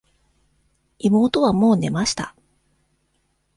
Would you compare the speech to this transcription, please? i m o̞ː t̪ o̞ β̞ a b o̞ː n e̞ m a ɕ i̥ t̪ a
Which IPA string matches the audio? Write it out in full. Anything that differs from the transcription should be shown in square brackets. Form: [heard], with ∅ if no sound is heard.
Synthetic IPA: i m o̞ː t̪ o̞ β̞ a [m] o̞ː n e̞ m a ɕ i̥ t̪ a